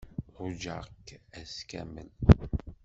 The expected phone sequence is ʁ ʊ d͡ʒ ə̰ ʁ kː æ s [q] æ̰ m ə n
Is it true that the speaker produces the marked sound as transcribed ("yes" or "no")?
no